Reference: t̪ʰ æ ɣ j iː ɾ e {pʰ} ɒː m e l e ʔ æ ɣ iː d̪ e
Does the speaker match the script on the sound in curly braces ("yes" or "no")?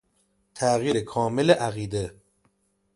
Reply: no